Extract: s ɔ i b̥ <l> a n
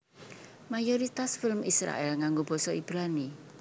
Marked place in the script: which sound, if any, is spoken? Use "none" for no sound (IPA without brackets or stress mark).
ɾ